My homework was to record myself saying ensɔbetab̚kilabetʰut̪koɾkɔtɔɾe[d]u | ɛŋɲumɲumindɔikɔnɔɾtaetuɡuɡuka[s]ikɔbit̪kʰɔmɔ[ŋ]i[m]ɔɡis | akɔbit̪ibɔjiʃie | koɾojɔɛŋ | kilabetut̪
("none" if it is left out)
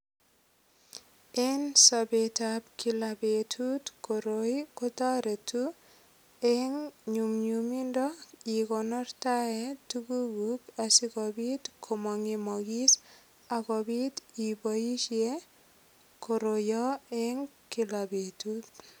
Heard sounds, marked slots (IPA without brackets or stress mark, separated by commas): t, s, ŋ, m